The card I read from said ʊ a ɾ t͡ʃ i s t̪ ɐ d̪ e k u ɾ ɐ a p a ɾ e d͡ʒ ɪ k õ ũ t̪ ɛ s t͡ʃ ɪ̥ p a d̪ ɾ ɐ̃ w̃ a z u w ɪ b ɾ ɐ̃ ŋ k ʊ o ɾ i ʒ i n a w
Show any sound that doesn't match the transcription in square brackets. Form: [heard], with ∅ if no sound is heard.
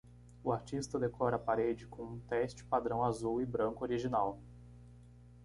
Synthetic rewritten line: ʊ a ɾ t͡ʃ i s t̪ ɐ d̪ e k [ɔ] ɾ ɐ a p a ɾ e d͡ʒ ɪ k õ ũ t̪ ɛ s t͡ʃ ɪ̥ p a d̪ ɾ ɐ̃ w̃ a z u w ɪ b ɾ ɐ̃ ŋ k ʊ o ɾ i ʒ i n a w